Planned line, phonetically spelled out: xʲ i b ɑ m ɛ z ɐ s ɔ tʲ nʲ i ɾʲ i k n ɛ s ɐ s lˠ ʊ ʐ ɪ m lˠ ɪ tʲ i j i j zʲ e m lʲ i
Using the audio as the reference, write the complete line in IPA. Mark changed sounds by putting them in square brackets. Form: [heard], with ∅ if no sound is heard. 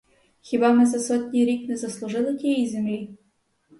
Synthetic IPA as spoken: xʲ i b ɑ m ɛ z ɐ s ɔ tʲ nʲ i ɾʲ i k n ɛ [z] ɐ s lˠ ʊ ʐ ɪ [∅] lˠ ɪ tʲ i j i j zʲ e m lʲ i

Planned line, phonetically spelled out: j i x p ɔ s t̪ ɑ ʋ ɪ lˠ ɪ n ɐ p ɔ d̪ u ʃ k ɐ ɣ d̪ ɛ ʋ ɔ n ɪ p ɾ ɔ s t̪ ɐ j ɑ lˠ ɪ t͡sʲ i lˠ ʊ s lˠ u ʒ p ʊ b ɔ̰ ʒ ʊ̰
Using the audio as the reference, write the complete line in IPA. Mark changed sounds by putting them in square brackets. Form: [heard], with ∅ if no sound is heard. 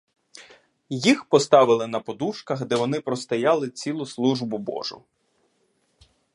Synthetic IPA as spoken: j i x p ɔ s t̪ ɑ ʋ ɪ lˠ ɪ n ɐ p ɔ d̪ u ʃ k ɐ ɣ d̪ ɛ ʋ ɔ n ɪ p ɾ ɔ s t̪ ɐ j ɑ lˠ ɪ t͡sʲ i lˠ ʊ s lˠ u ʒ [b] ʊ b ɔ̰ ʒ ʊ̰

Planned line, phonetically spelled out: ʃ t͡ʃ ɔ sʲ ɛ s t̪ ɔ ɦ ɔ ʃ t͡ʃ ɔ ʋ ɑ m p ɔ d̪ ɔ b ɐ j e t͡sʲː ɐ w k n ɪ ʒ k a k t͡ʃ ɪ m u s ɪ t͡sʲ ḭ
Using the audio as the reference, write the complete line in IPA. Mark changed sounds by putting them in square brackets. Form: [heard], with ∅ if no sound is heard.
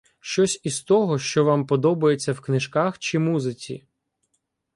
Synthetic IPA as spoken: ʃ t͡ʃ ɔ sʲ [i] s t̪ ɔ ɦ ɔ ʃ t͡ʃ ɔ ʋ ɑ m p ɔ d̪ ɔ b ɐ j e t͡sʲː ɐ w k n ɪ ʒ k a [x] t͡ʃ ɪ m u [z] ɪ t͡sʲ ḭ

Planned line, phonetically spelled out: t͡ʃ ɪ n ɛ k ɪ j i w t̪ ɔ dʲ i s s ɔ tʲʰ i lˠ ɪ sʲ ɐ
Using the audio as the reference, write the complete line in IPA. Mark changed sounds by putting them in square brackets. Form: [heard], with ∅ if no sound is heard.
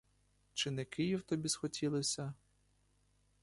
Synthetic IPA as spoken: t͡ʃ ɪ n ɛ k ɪ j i w t̪ ɔ [bʲ] i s [x] ɔ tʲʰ i lˠ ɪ sʲ ɐ

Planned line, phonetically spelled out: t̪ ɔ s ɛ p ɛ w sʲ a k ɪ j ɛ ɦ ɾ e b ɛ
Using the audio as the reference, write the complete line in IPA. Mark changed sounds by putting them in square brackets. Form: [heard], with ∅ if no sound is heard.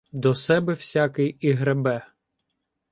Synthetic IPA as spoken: [d̪] ɔ s ɛ [b] ɛ w sʲ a k ɪ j [i] ɦ ɾ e b ɛ

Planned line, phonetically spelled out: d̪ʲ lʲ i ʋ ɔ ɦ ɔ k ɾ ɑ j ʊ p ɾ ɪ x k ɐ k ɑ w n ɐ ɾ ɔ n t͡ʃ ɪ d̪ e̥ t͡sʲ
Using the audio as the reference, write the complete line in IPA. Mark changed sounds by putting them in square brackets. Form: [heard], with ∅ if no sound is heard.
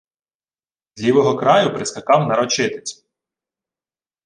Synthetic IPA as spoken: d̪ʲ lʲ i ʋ ɔ ɦ ɔ k ɾ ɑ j ʊ p ɾ ɪ [s] k ɐ k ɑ w n ɐ ɾ ɔ [∅] t͡ʃ ɪ [t̪] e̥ t͡sʲ

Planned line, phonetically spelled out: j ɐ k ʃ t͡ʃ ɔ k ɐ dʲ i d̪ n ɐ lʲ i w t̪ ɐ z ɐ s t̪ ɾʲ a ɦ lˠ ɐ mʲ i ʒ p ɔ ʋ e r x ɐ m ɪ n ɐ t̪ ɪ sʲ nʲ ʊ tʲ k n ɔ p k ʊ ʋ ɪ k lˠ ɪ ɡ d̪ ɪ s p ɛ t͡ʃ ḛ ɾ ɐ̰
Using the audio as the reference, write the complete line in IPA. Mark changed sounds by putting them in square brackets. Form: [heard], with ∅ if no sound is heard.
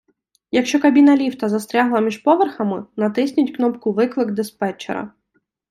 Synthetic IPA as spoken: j ɐ k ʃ t͡ʃ ɔ k ɐ [bʲ] i [∅] n ɐ lʲ i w t̪ ɐ z ɐ s t̪ ɾʲ a ɦ lˠ ɐ mʲ i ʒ p ɔ ʋ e r x ɐ m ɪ n ɐ t̪ ɪ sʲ nʲ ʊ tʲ k n ɔ p k ʊ ʋ ɪ k lˠ ɪ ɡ d̪ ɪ s p ɛ t͡ʃ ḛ ɾ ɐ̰

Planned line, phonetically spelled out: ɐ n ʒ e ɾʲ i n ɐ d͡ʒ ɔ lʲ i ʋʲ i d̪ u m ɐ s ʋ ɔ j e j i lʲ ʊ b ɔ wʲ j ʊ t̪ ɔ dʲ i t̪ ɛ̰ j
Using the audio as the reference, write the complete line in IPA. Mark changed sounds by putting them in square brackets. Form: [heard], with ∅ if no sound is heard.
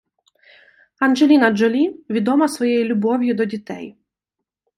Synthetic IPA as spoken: ɐ n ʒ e [lʲ] i n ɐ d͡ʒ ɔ lʲ i ʋʲ i d̪ [ɔ] m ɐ s ʋ ɔ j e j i lʲ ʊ b ɔ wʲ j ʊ [d̪] ɔ dʲ i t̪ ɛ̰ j

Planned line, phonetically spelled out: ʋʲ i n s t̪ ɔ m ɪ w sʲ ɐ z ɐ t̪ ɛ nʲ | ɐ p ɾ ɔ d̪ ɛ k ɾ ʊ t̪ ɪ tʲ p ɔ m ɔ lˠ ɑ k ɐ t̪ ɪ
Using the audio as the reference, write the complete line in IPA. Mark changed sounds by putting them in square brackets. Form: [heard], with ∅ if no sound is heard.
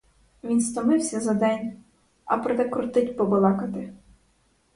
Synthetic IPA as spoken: ʋʲ i n s t̪ ɔ m ɪ w sʲ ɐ z ɐ [d̪] ɛ nʲ | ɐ p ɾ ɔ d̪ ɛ k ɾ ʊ t̪ ɪ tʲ p ɔ [b] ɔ lˠ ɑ k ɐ t̪ ɪ

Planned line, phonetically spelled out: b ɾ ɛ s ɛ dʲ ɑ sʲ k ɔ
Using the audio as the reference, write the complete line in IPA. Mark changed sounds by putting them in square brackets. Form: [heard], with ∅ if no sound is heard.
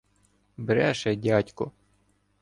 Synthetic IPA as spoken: b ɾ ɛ [ʃ] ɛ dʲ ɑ [tʲ] k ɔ

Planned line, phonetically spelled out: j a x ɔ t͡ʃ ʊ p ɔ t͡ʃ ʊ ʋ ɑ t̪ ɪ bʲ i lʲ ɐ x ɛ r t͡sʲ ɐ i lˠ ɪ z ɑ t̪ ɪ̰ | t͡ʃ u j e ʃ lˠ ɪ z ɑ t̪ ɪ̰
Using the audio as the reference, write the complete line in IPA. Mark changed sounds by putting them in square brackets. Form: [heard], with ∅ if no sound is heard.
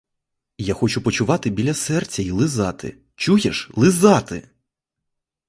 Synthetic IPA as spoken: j a x ɔ t͡ʃ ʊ p ɔ t͡ʃ ʊ ʋ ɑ t̪ ɪ bʲ i lʲ ɐ [s] ɛ r t͡sʲ ɐ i lˠ ɪ z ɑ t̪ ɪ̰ | t͡ʃ u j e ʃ lˠ ɪ z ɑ t̪ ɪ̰

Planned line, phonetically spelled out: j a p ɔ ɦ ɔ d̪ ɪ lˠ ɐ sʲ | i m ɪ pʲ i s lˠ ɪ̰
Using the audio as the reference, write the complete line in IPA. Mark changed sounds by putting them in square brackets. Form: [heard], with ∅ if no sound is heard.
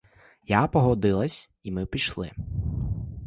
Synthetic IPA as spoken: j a p ɔ ɦ ɔ d̪ ɪ lˠ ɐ sʲ | i m ɪ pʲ i [ʃ] lˠ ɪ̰

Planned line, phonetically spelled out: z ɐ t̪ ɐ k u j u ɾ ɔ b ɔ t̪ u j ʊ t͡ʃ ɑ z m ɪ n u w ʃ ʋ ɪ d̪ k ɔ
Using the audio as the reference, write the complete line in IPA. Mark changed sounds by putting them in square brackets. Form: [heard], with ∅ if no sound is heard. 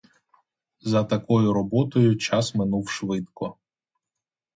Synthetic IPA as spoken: z ɐ t̪ ɐ k [ɔ] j [ʊ] ɾ ɔ b ɔ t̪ [ɔ] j ʊ t͡ʃ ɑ [s] m ɪ n u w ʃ ʋ ɪ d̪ k ɔ

